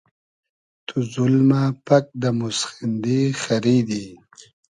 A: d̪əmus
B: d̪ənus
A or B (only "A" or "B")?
A